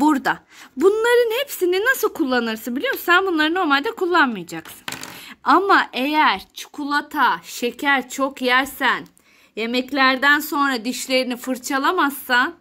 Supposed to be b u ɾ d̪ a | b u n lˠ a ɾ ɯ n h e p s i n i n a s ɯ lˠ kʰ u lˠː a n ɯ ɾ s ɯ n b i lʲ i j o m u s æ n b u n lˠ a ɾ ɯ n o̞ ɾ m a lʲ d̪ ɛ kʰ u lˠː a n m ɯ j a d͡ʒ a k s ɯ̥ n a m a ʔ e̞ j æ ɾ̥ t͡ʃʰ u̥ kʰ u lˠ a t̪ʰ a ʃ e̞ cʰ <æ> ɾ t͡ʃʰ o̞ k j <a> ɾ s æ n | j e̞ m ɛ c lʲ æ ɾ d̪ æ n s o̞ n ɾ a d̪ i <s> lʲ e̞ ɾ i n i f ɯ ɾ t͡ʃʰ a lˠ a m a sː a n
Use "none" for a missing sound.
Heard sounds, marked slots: æ, æ, ʃ

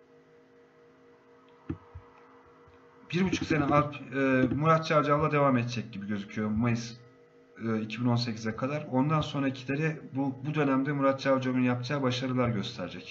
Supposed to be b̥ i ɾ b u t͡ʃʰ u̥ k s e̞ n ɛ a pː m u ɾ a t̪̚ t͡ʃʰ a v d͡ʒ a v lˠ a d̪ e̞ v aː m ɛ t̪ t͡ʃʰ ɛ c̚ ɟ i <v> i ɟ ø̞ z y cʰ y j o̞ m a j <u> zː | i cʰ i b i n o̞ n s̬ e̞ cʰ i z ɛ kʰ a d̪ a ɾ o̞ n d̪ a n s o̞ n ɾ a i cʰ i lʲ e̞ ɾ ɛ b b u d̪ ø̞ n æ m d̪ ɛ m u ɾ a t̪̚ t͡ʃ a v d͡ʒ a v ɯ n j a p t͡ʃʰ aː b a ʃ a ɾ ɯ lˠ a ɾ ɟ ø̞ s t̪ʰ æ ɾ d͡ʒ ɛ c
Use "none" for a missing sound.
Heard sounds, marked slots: b, ɯ

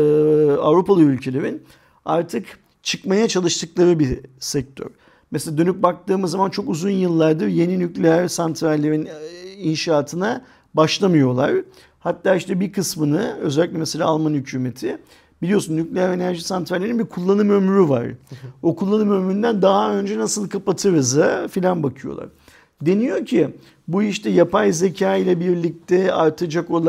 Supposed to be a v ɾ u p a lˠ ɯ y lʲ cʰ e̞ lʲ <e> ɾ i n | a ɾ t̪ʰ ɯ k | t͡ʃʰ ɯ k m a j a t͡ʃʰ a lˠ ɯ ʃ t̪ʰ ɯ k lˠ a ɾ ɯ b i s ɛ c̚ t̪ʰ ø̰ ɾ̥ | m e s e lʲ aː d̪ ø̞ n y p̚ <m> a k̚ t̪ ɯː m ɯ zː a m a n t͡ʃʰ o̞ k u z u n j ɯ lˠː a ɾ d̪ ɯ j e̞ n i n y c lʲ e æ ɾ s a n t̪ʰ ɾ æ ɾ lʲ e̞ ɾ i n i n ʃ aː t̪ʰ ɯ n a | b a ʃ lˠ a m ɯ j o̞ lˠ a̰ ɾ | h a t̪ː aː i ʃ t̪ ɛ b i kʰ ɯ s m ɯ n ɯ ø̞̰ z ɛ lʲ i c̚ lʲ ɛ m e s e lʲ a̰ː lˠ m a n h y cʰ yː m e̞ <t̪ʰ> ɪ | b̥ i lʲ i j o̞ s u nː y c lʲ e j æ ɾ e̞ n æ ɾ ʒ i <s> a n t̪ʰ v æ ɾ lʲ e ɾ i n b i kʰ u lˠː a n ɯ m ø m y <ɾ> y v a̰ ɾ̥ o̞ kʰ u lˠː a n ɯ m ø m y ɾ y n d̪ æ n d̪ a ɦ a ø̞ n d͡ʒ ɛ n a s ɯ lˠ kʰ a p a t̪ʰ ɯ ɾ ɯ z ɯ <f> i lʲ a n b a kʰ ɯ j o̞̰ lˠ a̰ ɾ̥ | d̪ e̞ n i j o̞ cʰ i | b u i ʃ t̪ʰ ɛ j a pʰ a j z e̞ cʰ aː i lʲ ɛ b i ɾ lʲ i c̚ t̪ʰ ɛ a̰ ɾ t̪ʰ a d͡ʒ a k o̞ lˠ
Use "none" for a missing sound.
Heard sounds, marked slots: e, b, t̪ʰ, s, ɾ, f

